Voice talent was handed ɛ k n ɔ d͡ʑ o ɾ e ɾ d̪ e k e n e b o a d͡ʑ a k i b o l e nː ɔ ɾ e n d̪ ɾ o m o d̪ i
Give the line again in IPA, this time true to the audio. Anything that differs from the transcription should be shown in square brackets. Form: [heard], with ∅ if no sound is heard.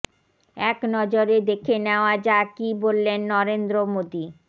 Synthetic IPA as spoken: ɛ k n ɔ d͡ʑ o ɾ e [∅] d̪ e [kʰ] e n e [∅] o a d͡ʑ a k i b o [lː] e nː ɔ ɾ e n d̪ ɾ o m o d̪ i